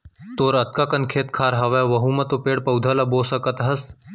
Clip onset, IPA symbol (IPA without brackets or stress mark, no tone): t̪